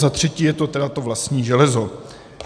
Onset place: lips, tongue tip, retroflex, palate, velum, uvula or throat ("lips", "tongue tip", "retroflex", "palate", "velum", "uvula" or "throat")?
tongue tip